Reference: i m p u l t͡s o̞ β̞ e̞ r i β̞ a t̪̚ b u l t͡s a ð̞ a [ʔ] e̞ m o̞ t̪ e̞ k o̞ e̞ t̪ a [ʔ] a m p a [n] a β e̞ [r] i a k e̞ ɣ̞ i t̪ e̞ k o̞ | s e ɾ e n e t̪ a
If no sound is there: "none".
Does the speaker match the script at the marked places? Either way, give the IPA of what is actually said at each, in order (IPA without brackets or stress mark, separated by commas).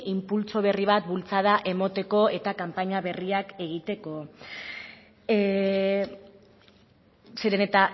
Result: ʔ, k, ɲ, r